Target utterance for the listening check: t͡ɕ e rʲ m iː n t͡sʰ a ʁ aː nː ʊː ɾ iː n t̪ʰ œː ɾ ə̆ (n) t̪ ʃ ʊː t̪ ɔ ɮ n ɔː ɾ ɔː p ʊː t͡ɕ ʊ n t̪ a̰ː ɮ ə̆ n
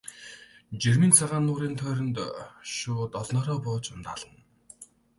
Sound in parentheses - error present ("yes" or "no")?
no